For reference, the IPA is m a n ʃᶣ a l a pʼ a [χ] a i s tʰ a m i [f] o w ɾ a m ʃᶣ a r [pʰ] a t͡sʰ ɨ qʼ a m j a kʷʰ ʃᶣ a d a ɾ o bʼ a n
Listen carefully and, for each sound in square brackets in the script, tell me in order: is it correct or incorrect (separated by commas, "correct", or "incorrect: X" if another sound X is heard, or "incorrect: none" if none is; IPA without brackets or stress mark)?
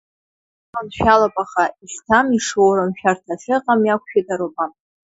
correct, incorrect: ʂ, incorrect: tʰ